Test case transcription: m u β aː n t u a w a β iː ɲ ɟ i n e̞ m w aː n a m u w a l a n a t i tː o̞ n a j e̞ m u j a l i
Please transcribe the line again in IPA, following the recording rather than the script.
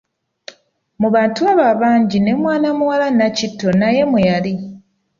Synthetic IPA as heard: m u β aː n t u a β a β aː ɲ ɟ i n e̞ m w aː n a m u w a l a n a c i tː o̞ n a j e̞ m u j a l i